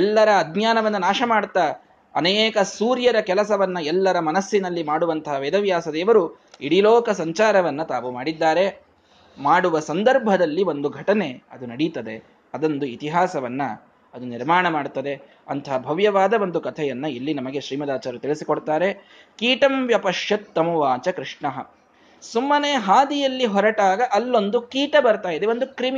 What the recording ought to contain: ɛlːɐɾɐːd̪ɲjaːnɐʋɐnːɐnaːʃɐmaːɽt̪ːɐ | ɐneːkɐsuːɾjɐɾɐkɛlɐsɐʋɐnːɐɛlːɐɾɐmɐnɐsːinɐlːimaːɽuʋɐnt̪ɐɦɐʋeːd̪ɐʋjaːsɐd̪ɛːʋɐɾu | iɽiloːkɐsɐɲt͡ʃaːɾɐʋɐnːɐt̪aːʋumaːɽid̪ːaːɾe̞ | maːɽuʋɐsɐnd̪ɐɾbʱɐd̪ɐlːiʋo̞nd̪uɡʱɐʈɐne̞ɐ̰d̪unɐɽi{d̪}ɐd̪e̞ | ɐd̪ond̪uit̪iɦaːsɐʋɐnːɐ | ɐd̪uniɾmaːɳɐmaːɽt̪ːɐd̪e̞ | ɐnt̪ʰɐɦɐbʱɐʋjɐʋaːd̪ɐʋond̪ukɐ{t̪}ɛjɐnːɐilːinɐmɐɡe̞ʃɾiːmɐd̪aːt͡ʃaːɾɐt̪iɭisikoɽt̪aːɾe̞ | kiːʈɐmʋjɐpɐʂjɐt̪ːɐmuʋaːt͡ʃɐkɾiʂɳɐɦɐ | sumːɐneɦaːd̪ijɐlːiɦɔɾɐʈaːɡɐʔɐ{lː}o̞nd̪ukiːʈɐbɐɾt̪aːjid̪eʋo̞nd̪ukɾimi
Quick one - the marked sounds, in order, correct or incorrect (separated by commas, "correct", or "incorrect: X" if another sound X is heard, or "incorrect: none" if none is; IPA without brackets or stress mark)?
incorrect: t̪, incorrect: t̪ʰ, correct